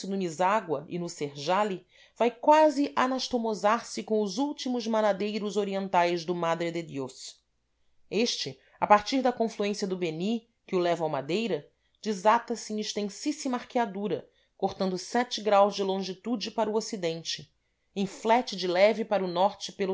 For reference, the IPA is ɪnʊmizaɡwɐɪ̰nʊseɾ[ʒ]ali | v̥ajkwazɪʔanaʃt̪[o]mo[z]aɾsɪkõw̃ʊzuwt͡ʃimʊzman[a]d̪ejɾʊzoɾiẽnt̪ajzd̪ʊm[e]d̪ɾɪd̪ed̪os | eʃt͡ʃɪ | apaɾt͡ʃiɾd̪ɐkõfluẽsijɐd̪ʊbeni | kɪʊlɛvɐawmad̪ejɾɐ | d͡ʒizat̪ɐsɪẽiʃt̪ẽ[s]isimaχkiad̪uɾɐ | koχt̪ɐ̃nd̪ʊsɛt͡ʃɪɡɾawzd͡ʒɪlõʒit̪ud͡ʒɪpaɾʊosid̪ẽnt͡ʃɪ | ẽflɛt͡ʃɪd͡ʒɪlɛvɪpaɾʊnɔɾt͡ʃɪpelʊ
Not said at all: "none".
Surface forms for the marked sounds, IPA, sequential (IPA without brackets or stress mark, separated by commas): ʒ, o, z, a, a, s